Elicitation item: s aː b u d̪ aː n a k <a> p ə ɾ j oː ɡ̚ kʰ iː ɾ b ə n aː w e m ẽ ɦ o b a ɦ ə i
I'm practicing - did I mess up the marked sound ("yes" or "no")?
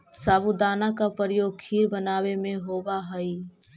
no